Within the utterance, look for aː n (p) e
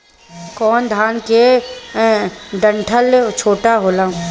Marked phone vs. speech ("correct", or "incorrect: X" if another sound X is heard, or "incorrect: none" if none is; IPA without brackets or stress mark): incorrect: k